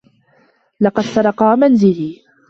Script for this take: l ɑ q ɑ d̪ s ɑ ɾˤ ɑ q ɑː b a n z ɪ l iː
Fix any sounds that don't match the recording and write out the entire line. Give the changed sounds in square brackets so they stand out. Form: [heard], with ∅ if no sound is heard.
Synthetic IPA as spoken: l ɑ q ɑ d̪ s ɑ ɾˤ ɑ q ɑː [m] a n z ɪ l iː